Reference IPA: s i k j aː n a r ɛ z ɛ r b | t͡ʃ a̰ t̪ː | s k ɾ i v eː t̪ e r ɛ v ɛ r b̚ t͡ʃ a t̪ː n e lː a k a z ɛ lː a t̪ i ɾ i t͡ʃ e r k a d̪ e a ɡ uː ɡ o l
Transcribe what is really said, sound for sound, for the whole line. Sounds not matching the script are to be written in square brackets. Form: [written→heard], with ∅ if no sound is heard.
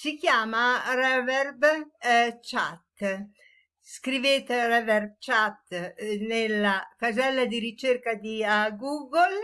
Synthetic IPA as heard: s i k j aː [n→m] a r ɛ [z→v] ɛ r b | t͡ʃ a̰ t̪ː | s k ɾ i v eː t̪ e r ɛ v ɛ r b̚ t͡ʃ a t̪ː n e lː a k a z ɛ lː a [t̪→d̪] i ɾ i t͡ʃ e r k a d̪ [e→i] a ɡ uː ɡ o l